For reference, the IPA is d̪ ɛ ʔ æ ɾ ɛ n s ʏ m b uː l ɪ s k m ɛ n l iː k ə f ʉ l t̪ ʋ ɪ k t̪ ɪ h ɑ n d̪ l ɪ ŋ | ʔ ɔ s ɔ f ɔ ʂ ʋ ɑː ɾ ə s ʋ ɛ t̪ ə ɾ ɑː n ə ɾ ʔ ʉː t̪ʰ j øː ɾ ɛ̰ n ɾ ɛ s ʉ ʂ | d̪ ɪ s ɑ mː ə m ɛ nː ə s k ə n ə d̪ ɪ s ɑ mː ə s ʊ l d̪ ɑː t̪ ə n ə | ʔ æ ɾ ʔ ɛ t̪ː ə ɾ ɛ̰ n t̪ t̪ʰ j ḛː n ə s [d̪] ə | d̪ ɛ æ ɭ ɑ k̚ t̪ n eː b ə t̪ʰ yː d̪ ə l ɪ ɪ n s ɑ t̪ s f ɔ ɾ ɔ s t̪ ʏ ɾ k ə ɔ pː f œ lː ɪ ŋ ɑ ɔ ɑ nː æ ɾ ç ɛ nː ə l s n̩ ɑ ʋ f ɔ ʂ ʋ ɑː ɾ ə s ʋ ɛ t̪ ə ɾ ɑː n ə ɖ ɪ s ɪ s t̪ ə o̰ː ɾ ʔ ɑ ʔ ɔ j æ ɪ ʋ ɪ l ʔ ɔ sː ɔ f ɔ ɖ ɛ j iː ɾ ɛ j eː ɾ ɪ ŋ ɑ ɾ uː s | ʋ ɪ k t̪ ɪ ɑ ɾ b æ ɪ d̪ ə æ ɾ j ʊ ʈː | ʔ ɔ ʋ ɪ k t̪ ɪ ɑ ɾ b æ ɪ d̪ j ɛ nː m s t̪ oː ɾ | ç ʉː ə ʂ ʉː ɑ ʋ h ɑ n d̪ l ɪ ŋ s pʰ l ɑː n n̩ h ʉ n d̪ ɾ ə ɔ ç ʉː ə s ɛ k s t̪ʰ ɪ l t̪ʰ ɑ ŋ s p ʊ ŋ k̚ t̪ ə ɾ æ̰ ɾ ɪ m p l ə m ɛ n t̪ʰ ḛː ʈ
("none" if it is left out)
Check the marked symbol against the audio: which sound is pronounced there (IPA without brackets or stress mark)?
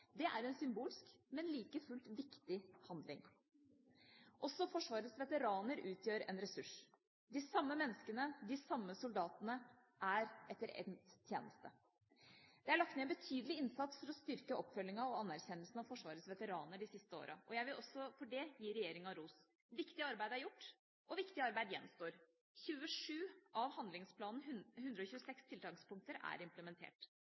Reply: t̪